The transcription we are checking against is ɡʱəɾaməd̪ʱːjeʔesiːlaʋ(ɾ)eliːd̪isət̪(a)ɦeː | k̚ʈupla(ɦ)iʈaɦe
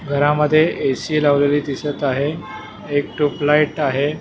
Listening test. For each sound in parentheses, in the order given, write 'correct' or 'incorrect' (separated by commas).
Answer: incorrect, correct, incorrect